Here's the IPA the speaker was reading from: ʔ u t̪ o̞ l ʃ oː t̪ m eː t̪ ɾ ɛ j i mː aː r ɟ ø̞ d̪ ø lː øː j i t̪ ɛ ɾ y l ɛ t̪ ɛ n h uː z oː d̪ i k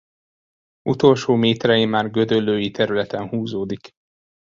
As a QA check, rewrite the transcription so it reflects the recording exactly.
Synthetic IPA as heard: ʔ u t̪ o̞ l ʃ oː m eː t̪ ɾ ɛ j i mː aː r ɡ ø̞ d̪ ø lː øː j i t̪ ɛ ɾ y l ɛ t̪ ɛ n h uː z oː d̪ i k